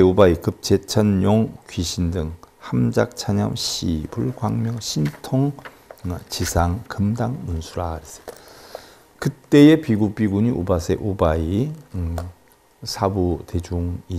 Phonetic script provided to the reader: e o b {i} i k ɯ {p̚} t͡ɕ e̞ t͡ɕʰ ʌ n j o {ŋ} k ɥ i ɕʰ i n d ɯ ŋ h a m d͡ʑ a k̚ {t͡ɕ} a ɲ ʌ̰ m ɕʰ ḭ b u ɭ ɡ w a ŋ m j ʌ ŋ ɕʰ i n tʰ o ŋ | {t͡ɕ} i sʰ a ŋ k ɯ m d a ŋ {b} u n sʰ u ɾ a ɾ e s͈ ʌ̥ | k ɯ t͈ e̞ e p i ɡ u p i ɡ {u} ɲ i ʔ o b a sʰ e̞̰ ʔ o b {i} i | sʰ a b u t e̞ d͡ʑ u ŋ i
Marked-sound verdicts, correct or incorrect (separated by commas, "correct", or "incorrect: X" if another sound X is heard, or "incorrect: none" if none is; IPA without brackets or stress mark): incorrect: a, correct, correct, incorrect: t͡ɕʰ, correct, incorrect: m, correct, incorrect: a